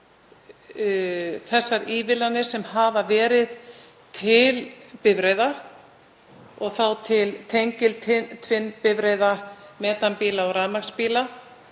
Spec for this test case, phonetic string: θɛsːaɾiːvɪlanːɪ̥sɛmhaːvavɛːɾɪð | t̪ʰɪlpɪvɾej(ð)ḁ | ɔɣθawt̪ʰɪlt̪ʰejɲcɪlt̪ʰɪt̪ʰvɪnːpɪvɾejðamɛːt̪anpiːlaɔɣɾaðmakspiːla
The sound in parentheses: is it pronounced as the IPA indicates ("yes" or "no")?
yes